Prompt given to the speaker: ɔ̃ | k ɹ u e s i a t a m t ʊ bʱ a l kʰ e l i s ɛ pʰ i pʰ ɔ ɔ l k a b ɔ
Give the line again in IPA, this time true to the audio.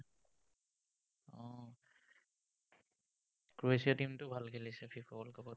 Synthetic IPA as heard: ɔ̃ | k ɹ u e s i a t i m t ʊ bʱ a l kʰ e l i s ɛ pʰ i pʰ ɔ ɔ l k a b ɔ